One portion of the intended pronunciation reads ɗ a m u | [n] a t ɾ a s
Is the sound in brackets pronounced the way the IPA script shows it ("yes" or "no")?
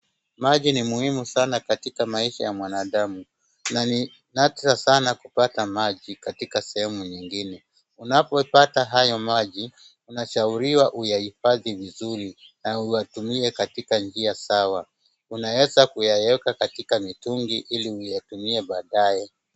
yes